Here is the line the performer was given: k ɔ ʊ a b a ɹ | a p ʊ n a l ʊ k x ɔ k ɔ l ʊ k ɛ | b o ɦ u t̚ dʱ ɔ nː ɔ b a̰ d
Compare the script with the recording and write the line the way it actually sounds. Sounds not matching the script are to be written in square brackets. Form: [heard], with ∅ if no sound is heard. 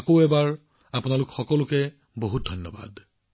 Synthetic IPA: k [o] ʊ [ɛ] b a ɹ | a p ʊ n a l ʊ k x ɔ k ɔ l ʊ k ɛ | b o ɦ u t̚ dʱ ɔ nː ɔ b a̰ d